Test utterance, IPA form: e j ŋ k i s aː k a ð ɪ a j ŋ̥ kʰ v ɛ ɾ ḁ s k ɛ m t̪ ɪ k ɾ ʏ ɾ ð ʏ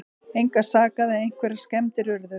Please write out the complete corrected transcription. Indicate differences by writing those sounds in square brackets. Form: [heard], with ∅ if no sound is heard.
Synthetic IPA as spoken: e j ŋ k [a] s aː k a ð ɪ [e] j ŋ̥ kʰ v ɛ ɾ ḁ s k ɛ m t̪ ɪ [∅] ɾ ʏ ɾ ð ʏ